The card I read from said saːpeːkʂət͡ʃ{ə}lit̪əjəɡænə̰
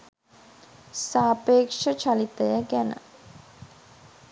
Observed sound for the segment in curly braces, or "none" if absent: a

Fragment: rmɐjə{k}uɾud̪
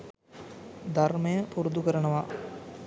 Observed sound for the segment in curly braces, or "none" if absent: p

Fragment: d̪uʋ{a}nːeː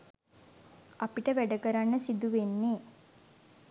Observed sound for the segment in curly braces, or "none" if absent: e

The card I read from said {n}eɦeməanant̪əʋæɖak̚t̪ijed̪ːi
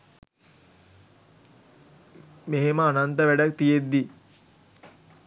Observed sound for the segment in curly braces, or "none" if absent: m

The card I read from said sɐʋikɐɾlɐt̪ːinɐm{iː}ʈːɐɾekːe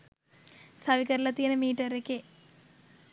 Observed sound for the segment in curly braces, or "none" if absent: iː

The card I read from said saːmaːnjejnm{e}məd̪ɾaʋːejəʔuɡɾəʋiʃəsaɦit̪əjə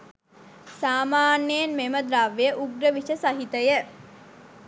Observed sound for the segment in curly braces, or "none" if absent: e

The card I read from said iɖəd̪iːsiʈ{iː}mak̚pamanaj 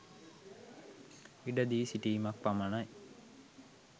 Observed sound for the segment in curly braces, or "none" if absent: iː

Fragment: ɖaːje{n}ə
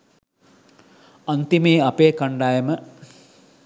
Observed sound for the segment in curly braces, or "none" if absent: m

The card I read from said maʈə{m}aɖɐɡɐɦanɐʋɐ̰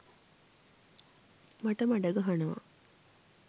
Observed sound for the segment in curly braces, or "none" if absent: m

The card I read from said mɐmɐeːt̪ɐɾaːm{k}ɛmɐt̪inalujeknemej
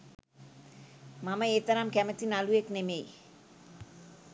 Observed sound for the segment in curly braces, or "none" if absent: k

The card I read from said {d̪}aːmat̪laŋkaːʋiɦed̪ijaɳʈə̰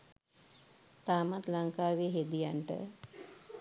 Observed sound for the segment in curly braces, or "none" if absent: t̪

